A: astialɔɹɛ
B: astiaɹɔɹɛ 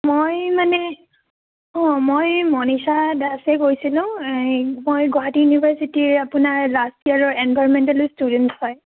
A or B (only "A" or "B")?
B